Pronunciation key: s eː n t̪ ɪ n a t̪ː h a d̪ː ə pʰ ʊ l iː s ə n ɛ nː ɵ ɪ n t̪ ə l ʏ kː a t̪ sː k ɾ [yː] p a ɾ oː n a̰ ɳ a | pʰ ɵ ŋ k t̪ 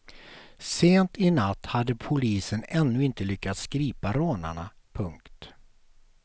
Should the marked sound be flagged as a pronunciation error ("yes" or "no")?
yes